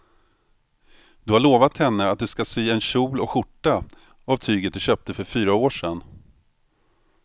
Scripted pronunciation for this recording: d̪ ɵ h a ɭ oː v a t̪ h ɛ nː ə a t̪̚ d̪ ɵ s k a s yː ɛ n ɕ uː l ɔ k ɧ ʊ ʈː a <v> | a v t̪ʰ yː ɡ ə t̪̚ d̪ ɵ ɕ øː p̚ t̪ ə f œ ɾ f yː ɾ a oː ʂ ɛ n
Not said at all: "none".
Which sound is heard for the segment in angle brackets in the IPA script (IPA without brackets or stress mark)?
none